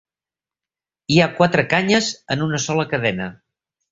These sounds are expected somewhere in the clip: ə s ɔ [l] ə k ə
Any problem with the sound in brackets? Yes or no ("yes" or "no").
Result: no